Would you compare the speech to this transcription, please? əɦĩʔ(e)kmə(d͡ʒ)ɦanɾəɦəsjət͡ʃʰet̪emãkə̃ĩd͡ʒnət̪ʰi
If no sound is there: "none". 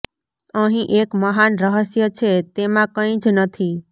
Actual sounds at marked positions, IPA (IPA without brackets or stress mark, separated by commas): e, none